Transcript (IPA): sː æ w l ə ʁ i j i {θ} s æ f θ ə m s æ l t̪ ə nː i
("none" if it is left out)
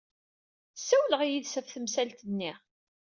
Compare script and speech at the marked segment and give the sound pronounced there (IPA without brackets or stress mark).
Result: ð